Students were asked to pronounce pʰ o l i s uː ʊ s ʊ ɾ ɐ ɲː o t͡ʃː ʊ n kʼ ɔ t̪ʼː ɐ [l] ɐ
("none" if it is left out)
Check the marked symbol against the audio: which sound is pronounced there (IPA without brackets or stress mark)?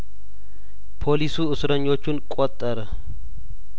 ɾ